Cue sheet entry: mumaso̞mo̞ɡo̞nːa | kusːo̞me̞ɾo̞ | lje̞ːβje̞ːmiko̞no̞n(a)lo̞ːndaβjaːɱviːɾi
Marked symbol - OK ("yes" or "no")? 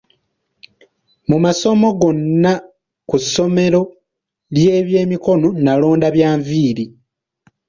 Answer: yes